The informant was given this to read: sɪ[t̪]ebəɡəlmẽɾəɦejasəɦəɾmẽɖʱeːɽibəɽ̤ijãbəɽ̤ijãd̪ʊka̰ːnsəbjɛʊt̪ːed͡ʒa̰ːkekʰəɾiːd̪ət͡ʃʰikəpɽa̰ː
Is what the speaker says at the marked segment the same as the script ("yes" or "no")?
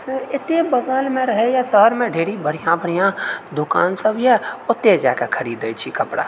yes